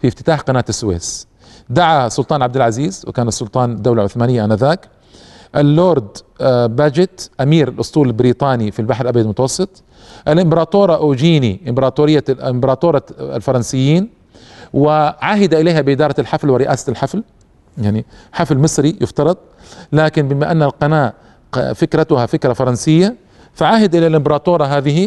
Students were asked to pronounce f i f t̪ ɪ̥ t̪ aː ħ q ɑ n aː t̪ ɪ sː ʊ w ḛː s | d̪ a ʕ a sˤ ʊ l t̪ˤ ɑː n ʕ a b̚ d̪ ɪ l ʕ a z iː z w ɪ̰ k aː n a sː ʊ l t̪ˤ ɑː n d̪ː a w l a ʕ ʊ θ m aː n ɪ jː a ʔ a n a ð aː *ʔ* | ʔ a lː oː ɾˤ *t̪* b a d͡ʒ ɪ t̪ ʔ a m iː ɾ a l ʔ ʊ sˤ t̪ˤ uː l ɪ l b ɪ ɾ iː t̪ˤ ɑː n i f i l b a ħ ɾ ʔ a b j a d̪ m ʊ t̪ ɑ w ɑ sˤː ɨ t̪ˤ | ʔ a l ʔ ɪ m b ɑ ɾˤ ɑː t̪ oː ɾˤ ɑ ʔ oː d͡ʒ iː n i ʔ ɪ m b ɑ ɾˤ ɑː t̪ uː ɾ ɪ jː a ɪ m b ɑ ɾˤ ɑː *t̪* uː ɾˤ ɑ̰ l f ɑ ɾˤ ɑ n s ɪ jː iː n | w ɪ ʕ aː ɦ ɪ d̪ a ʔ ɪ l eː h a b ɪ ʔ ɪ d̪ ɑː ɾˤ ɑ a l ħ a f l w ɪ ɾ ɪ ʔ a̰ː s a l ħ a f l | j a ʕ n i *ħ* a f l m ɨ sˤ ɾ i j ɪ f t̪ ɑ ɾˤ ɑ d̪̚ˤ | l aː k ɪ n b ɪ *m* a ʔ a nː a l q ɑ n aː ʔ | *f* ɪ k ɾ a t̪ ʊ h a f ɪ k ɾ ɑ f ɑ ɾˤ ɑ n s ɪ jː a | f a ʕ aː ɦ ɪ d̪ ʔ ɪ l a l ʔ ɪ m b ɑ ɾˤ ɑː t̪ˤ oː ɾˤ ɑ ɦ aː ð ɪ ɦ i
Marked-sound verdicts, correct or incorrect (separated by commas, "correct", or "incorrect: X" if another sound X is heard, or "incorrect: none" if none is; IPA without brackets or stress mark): incorrect: k, incorrect: d̪, correct, correct, correct, correct